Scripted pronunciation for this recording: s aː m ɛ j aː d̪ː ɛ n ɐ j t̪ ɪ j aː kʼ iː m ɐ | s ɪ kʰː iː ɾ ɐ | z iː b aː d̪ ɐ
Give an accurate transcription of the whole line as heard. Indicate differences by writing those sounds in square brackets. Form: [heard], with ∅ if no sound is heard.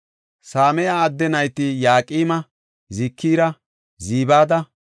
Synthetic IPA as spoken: s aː m ɛ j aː d̪ː ɛ n ɐ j t̪ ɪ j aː kʼ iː m ɐ | [z] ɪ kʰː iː ɾ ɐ | z iː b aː d̪ ɐ